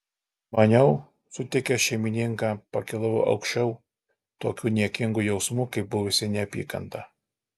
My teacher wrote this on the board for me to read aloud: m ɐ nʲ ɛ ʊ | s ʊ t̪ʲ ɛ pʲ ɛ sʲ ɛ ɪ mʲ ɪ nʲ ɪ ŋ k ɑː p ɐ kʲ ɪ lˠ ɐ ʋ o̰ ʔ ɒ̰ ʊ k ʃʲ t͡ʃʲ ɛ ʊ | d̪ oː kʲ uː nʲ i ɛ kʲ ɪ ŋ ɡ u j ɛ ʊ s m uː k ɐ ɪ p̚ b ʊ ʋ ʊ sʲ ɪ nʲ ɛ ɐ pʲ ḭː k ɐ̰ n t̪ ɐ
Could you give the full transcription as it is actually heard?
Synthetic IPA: m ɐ nʲ ɛ ʊ | s ʊ t̪ʲ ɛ kʲ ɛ ʃʲ ɛ ɪ mʲ ɪ nʲ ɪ ŋ k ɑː p ɐ kʲ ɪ lˠ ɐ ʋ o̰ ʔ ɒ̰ ʊ k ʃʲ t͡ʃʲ ɛ ʊ | t̪ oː kʲ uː nʲ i ɛ kʲ ɪ ŋ ɡ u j ɛ ʊ s m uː k ɐ ɪ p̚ b ʊ ʋ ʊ sʲ ɪ nʲ ɛ ɐ pʲ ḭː k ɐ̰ n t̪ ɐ

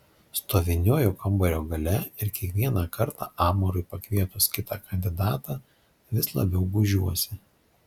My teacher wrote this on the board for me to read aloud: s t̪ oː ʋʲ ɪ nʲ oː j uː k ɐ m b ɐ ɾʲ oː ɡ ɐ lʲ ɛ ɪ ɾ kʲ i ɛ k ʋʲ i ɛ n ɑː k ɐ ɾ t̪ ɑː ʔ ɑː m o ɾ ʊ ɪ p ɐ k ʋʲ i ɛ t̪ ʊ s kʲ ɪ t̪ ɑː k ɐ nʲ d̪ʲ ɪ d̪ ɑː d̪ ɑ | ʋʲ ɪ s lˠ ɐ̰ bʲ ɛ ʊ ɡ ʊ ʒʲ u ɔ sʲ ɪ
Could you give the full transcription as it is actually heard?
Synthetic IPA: s t̪ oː ʋʲ ɪ nʲ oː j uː k ɐ m b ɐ ɾʲ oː ɡ ɐ lʲ ɛ ɪ ɾ kʲ i ɛ k ʋʲ i ɛ n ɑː k ɐ ɾ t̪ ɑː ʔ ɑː m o ɾ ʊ ɪ p ɐ k ʋʲ i ɛ t̪ ʊ s kʲ ɪ t̪ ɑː k ɐ nʲ d̪ʲ ɪ d̪ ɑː t̪ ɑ | ʋʲ ɪ s lˠ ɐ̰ bʲ ɛ ʊ ɡ ʊ ʒʲ u ɔ sʲ ɪ

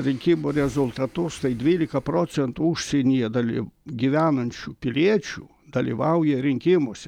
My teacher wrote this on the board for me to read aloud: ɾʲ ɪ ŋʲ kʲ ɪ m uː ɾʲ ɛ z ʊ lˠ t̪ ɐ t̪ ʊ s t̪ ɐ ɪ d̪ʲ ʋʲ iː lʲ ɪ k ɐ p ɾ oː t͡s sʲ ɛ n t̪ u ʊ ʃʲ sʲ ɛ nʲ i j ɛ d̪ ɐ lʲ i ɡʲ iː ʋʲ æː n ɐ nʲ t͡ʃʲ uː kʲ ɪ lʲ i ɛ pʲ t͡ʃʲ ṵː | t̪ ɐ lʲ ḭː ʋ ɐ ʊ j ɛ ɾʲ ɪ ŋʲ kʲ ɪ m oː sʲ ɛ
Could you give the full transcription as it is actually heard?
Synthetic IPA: ɾʲ ɪ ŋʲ kʲ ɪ m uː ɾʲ ɛ z ʊ lˠ t̪ ɐ t̪ ʊ s t̪ ɐ ɪ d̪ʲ ʋʲ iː lʲ ɪ k ɐ p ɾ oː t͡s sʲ ɛ n t̪ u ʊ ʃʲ sʲ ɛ nʲ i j ɛ d̪ ɐ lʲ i ɡʲ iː ʋʲ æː n ɐ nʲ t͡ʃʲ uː pʲ ɪ lʲ i ɛ t͡ʃʲ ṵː | d̪ ɐ lʲ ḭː ʋ ɐ ʊ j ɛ ɾʲ ɪ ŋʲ kʲ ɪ m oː sʲ ɛ

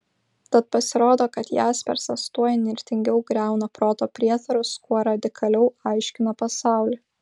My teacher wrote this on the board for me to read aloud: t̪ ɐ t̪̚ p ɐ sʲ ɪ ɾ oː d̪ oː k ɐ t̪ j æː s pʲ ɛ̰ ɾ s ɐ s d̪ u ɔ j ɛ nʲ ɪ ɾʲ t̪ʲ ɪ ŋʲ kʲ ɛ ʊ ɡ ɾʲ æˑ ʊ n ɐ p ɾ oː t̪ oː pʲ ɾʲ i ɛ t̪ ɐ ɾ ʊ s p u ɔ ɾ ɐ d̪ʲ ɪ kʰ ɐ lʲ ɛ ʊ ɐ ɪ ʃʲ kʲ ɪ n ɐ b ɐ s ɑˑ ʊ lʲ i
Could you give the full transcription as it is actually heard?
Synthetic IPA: t̪ ɐ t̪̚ p ɐ sʲ ɪ ɾ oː d̪ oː k ɐ t̪ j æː s pʲ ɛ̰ ɾ s ɐ s t̪ u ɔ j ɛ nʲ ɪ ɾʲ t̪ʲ ɪ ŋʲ ɡʲ ɛ ʊ ɡ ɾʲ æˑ ʊ n ɐ p ɾ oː t̪ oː pʲ ɾʲ i ɛ t̪ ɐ ɾ ʊ s k u ɔ ɾ ɐ d̪ʲ ɪ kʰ ɐ lʲ ɛ ʊ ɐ ɪ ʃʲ kʲ ɪ n ɐ p ɐ s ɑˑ ʊ lʲ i

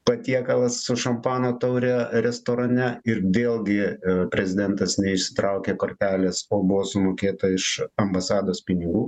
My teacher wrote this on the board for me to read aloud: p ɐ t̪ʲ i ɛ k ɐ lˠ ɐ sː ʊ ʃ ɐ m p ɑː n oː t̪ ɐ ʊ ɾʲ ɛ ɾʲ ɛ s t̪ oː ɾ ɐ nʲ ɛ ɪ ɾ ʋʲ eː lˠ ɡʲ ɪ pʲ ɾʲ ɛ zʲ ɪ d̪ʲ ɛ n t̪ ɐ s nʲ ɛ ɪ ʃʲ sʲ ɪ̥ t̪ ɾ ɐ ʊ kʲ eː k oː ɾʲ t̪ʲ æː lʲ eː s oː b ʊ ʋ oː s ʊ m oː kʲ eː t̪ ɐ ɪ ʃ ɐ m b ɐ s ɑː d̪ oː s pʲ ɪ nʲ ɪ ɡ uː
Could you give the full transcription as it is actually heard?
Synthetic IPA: p ɐ t̪ʲ i ɛ k ɐ lˠ ɐ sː ʊ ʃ ɐ m p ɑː n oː t̪ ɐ ʊ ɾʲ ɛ ɾʲ ɛ s t̪ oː ɾ ɐ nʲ ɛ ɪ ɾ ʋʲ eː lˠ ɡʲ ɪ pʲ ɾʲ ɛ zʲ ɪ d̪ʲ ɛ n t̪ ɐ s nʲ ɛ ɪ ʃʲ sʲ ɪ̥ t̪ ɾ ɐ ʊ kʲ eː k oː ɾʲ t̪ʲ æː lʲ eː s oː b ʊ ʋ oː s ʊ m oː kʲ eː t̪ ɐ ɪ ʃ ɐ m b ɐ s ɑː d̪ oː s pʲ ɪ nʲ ɪ ɡ uː

